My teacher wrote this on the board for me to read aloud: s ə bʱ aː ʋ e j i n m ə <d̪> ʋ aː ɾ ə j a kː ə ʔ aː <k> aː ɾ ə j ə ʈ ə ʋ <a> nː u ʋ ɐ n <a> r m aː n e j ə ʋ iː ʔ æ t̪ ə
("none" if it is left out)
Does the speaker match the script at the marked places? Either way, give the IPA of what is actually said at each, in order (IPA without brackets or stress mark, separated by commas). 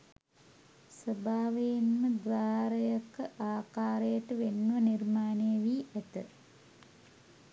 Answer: d̪, k, e, i